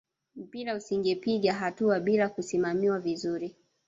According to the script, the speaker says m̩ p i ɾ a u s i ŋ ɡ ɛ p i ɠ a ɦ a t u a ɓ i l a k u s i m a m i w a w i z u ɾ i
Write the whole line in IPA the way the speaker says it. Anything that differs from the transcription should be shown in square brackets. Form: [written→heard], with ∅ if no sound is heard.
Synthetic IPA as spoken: m̩ p i ɾ a u s i ŋ ɡ ɛ p i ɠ a ɦ a t u a ɓ i l a k u s i m a m i w a [w→v] i z u ɾ i